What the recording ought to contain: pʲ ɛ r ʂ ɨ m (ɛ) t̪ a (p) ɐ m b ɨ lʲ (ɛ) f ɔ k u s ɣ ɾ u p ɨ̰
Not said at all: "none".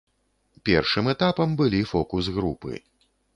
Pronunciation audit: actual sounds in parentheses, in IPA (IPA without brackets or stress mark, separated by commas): ɛ, p, i